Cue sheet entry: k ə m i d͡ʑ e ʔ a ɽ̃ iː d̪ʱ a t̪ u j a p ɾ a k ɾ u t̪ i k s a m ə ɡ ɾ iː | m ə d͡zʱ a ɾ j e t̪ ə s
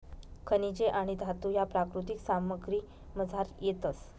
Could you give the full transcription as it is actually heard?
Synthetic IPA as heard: kʰ ə n i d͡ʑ e ʔ a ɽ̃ i d̪ʱ a t̪ u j a p ɾ a k ɾ u t̪ i k s a m ə ɡ ɾ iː | m ə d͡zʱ a ɾ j e t̪ ə s